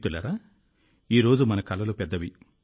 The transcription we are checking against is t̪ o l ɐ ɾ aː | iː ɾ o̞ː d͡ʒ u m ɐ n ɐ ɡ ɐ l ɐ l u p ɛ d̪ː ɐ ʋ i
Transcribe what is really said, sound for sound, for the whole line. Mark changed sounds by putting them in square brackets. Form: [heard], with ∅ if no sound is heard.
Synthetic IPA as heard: t̪ [u] l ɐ ɾ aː | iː ɾ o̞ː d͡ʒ u m ɐ n ɐ [k] ɐ l ɐ l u p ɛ d̪ː ɐ ʋ i